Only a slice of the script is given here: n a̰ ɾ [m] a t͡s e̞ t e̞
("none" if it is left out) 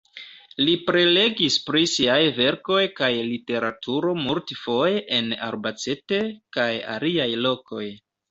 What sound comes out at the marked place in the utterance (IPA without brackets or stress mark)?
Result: b